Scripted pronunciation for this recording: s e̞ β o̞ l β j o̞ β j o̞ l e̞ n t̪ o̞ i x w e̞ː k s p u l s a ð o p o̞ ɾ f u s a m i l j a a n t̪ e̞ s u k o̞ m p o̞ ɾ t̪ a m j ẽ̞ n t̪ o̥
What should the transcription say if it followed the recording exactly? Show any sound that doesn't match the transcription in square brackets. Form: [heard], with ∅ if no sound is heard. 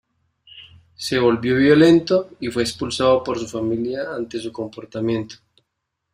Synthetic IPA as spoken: s e̞ β o̞ l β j o̞ β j o̞ l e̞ n t̪ o̞ i [f] w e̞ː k s p u l s a ð o p o̞ ɾ [s] u [f] a m i l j a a n t̪ e̞ s u k o̞ m p o̞ ɾ t̪ a m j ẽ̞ n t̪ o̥